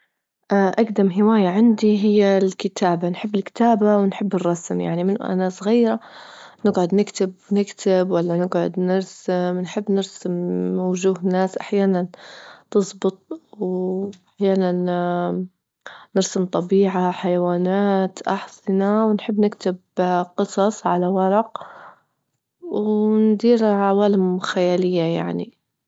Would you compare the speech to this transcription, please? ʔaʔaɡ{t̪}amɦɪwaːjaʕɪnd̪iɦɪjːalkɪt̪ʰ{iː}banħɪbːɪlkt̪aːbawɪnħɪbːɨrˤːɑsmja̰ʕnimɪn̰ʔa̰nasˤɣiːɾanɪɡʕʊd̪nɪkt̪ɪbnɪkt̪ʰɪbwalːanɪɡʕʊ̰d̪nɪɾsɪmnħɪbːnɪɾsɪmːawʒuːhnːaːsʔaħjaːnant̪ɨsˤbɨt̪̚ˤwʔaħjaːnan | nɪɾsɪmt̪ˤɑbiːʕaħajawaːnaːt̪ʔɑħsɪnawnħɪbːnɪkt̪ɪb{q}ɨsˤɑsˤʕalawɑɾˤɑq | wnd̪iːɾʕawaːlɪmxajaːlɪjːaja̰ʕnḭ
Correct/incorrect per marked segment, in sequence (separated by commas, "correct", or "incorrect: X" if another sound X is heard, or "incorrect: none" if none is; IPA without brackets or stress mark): incorrect: d̪, incorrect: aː, correct